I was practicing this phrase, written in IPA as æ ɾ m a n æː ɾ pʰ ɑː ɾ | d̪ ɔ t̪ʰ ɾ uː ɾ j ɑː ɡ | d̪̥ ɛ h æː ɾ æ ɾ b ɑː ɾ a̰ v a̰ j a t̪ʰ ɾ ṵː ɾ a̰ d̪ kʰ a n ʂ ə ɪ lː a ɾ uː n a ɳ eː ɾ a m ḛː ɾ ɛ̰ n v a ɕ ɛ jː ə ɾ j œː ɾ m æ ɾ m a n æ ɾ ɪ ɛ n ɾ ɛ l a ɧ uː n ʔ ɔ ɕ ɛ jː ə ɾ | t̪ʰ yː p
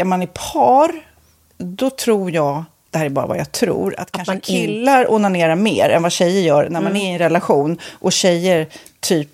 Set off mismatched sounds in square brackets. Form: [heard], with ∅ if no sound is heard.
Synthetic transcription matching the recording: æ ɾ m a n [æ] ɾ pʰ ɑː ɾ | d̪ ɔ t̪ʰ ɾ uː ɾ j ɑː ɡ | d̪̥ ɛ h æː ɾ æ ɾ b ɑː ɾ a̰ v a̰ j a t̪ʰ ɾ ṵː ɾ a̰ [t̪] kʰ a n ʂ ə ɪ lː a ɾ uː n a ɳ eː ɾ a m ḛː ɾ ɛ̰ n v a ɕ ɛ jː ə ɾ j œː ɾ [n] æ ɾ m a n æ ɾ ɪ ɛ n ɾ ɛ l a ɧ uː n ʔ ɔ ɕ ɛ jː ə ɾ | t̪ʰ yː p